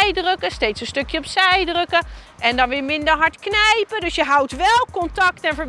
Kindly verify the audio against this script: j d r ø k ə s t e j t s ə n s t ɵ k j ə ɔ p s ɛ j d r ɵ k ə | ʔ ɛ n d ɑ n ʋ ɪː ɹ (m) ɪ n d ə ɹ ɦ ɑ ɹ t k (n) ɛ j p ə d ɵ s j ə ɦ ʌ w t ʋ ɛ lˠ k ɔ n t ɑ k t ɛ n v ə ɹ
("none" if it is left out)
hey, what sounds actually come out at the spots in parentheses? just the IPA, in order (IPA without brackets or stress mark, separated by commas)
m, n